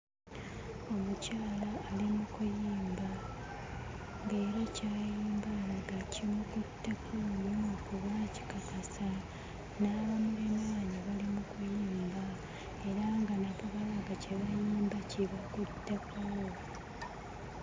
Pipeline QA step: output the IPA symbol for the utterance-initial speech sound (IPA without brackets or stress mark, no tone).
o̞